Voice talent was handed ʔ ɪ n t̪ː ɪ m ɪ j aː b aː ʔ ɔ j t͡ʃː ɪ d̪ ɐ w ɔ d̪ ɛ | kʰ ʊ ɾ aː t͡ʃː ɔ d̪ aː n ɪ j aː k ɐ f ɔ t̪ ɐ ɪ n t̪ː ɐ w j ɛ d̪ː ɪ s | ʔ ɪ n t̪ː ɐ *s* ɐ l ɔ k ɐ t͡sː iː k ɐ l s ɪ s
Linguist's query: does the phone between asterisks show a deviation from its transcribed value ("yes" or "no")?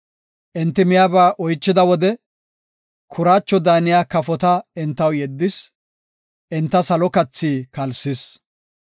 no